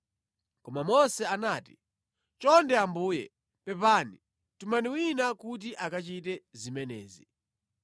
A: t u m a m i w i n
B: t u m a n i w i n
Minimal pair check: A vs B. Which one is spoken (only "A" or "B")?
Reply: B